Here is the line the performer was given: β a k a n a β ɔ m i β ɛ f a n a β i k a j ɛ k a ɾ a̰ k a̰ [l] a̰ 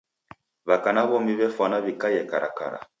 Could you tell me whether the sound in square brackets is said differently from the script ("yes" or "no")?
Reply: yes